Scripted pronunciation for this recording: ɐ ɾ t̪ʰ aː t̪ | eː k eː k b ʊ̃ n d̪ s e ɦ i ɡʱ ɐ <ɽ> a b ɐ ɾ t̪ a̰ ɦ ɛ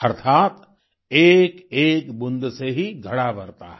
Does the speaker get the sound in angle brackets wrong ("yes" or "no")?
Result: no